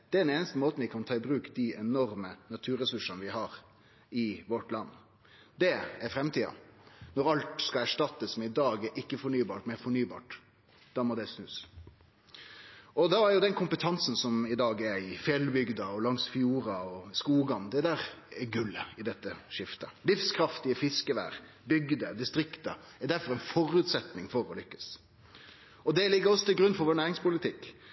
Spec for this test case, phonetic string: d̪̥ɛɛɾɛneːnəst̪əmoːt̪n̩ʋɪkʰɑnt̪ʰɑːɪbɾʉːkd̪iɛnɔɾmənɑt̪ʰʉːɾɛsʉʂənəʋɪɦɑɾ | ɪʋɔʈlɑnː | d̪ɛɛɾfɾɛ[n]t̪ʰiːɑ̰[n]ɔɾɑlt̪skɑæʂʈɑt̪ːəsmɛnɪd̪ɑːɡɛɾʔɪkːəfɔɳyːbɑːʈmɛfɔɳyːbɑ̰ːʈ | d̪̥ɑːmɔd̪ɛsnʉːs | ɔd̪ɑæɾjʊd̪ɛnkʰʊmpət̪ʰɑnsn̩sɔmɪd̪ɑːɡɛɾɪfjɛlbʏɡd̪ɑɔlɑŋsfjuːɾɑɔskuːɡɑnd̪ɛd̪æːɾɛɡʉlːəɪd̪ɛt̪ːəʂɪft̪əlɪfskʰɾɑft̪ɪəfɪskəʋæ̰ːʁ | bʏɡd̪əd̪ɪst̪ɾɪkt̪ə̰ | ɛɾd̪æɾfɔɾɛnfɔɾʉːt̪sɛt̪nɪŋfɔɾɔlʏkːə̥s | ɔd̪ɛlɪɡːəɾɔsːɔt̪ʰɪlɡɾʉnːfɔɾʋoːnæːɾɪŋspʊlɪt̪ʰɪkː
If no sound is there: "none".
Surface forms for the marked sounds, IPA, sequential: m, n

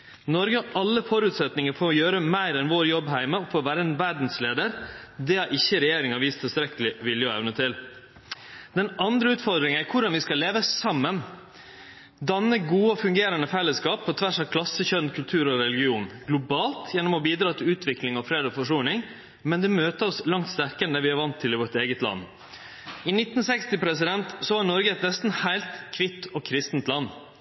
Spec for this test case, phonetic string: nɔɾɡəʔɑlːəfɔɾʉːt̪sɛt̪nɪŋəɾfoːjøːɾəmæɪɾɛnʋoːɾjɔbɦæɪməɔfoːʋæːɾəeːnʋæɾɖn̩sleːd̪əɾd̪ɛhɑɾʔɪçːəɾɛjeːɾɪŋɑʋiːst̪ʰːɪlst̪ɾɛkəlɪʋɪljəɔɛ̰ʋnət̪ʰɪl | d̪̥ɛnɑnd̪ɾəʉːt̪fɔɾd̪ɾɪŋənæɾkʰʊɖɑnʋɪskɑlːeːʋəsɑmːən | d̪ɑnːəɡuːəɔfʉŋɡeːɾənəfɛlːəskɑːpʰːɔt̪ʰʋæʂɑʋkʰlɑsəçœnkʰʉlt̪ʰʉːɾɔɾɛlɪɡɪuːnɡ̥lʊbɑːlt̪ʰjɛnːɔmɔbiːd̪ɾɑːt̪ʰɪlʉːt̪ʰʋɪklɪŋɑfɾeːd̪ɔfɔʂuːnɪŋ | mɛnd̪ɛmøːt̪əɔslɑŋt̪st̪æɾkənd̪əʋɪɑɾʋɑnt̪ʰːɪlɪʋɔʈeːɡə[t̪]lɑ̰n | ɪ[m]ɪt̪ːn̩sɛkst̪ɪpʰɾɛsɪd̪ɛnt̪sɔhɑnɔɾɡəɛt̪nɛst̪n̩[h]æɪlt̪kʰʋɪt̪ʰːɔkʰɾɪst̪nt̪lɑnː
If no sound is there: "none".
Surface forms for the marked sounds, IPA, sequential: t̪, n, h

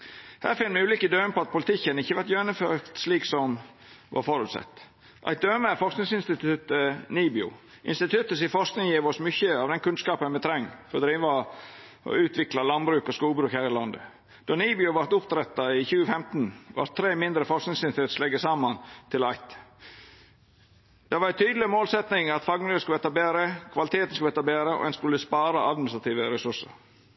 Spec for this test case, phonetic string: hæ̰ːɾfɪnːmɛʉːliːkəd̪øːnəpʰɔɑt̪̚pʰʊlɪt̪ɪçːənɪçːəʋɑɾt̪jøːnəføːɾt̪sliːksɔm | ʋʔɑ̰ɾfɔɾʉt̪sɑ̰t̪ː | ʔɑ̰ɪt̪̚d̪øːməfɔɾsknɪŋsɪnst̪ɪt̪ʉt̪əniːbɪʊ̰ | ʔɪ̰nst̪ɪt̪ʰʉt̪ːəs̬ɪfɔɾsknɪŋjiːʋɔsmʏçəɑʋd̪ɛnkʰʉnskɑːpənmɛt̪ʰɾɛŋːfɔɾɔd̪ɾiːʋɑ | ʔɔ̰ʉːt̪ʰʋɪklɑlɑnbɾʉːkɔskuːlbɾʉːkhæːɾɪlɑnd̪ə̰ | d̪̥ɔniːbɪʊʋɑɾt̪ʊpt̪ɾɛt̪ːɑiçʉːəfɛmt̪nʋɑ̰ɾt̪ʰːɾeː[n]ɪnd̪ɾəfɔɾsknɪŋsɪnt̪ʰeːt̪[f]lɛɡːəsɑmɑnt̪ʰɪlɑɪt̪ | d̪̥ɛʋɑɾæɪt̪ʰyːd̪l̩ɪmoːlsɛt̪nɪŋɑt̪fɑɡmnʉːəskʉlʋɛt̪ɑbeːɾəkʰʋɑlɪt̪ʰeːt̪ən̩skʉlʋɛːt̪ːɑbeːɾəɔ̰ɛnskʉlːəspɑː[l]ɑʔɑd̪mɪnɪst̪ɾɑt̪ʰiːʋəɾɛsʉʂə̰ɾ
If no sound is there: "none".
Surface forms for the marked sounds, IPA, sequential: m, s, ɾ

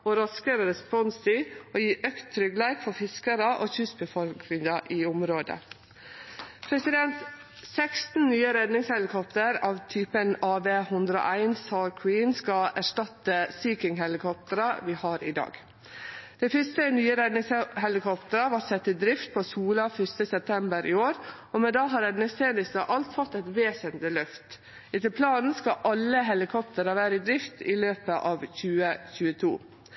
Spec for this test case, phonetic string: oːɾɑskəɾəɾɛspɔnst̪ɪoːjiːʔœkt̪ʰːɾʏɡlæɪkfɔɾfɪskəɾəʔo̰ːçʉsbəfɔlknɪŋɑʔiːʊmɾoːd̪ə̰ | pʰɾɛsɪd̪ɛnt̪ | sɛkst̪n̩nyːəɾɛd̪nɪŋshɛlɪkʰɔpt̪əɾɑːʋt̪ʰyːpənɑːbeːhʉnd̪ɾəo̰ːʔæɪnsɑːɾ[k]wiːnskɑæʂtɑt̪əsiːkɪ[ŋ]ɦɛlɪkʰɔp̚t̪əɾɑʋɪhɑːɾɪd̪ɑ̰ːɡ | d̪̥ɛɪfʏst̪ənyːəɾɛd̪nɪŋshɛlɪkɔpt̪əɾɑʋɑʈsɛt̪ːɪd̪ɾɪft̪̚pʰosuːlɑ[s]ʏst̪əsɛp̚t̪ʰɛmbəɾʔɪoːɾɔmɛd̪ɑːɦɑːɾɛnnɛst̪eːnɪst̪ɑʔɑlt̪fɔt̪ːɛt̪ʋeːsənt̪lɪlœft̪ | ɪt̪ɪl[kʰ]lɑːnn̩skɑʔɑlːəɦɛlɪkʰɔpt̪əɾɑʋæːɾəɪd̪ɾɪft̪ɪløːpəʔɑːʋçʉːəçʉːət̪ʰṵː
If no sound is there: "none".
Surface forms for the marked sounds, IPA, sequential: kʰ, ŋ, f, pʰ

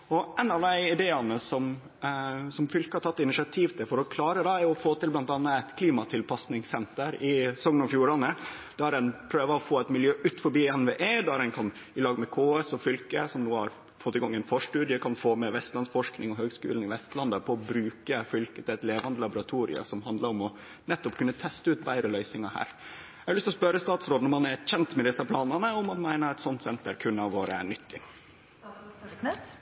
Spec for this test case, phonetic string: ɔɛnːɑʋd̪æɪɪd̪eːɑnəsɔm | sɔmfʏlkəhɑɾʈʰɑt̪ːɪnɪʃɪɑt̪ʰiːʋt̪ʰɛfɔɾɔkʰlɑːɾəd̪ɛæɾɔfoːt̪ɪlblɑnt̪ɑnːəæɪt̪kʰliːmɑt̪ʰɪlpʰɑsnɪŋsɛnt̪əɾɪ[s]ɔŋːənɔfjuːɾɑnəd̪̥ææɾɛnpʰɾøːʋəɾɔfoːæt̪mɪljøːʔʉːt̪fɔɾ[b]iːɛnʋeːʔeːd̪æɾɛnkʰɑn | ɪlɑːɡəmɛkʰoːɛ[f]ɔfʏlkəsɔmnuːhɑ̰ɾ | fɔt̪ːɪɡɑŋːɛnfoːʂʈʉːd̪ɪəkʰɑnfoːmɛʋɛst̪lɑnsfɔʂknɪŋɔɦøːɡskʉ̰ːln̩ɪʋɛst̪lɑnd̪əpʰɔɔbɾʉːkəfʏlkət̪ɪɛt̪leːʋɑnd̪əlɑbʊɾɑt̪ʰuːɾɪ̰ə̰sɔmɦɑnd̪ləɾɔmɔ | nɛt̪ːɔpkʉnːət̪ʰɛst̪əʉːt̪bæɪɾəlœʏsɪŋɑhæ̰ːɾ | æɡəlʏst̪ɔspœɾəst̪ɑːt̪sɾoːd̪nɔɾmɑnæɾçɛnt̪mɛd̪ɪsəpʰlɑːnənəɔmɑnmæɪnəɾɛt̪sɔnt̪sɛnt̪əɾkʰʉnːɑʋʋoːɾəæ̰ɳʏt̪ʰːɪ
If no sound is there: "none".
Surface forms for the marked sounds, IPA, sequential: s, b, s

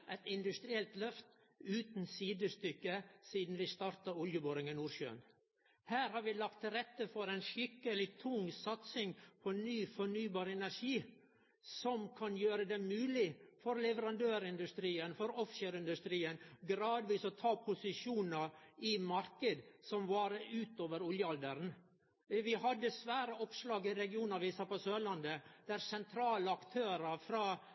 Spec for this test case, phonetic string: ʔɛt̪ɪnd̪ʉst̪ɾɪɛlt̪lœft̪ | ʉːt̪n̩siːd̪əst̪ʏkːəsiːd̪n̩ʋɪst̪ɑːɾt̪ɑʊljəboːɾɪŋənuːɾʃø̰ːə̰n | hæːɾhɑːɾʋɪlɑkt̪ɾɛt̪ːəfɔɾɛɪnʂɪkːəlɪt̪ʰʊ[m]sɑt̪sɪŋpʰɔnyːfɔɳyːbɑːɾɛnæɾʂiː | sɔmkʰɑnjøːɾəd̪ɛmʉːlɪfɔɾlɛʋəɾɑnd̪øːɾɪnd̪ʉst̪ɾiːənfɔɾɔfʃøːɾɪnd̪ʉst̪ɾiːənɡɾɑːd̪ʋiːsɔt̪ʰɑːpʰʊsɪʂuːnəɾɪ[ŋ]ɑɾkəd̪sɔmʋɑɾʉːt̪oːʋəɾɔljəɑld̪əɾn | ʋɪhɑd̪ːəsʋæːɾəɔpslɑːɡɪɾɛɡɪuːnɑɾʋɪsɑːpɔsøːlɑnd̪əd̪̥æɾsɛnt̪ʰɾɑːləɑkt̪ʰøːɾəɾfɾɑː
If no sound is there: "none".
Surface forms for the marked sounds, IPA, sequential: ŋ, m

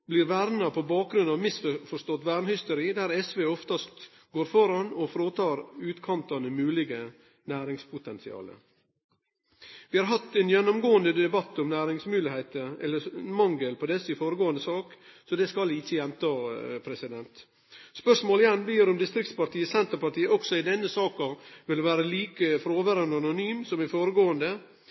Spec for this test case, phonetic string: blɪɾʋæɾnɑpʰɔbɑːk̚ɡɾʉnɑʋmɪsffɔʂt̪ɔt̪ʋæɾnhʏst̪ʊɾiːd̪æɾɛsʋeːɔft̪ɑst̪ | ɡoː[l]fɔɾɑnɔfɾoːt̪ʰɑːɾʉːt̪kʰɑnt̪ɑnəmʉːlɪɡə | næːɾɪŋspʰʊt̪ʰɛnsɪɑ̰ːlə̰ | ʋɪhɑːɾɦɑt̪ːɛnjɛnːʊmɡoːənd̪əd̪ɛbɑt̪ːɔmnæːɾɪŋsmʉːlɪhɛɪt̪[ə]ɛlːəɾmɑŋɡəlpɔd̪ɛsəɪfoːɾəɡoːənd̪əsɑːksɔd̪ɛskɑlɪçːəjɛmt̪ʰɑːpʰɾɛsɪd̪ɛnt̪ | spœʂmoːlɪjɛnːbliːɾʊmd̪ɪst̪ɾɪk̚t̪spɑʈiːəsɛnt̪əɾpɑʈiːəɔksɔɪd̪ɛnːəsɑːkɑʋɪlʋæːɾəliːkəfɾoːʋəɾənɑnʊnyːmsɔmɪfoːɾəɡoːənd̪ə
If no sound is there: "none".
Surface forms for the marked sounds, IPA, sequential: ɾ, ə

